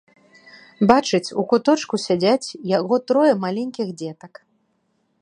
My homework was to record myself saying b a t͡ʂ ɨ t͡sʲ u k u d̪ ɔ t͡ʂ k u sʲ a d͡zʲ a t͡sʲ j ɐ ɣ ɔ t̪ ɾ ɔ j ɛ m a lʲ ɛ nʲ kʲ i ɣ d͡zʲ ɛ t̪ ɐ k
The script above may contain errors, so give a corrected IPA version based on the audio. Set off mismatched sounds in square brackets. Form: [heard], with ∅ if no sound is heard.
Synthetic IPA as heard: b a t͡ʂ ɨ t͡sʲ u k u [t̪] ɔ t͡ʂ k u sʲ a d͡zʲ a t͡sʲ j [a] ɣ ɔ t̪ ɾ ɔ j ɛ m a lʲ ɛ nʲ kʲ i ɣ d͡zʲ ɛ t̪ ɐ k